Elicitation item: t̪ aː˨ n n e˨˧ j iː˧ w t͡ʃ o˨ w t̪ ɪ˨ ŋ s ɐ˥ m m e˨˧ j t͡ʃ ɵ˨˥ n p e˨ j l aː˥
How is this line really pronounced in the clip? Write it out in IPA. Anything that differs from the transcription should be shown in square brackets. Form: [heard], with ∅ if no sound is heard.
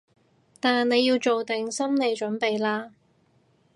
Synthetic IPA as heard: t̪ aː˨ n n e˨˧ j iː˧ w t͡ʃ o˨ w t̪ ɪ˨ ŋ s ɐ˥ m [n] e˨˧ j t͡ʃ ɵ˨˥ n p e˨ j l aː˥